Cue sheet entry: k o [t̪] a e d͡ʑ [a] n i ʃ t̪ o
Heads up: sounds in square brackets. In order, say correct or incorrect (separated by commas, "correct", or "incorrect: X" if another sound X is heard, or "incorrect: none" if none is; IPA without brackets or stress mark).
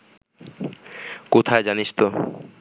incorrect: t̪ʰ, correct